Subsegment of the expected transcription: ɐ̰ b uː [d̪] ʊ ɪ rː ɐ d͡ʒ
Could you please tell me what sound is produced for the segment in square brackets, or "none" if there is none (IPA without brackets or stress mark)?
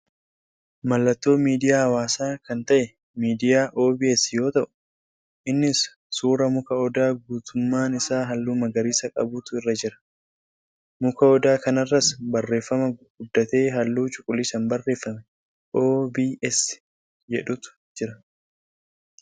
t̪